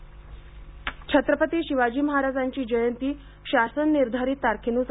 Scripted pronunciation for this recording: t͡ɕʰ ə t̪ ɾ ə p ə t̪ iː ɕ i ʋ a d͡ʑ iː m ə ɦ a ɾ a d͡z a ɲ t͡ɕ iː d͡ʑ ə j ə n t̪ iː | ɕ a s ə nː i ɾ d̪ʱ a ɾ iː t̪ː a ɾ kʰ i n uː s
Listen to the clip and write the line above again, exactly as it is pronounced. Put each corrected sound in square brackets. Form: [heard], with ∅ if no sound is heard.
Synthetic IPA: t͡ɕʰ ə t̪ ɾ ə p ə t̪ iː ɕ i ʋ a d͡ʑ iː m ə ɦ a ɾ a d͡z a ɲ t͡ɕ iː d͡ʑ ə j ə n t̪ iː | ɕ a s ə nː i ɾ d̪ʱ a ɾ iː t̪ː a ɾ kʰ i n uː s